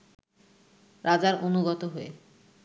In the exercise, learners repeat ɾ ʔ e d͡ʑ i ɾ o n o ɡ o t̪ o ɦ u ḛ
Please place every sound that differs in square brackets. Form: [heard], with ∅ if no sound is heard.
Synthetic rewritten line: ɾ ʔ [a] d͡ʑ [a] ɾ o n [u] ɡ [ɔ] t̪ o ɦ [o] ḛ